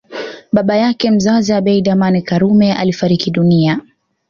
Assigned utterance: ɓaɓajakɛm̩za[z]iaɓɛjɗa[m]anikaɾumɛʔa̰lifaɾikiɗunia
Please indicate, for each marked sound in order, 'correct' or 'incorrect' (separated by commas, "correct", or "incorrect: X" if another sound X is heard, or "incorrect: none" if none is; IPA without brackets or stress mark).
correct, correct